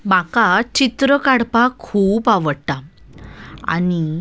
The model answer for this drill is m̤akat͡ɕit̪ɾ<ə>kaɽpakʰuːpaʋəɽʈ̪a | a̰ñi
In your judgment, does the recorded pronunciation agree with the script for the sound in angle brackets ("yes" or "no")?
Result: yes